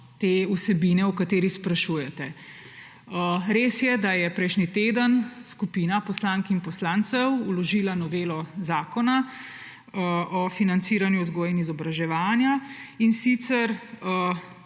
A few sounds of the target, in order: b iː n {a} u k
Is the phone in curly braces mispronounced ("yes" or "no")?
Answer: yes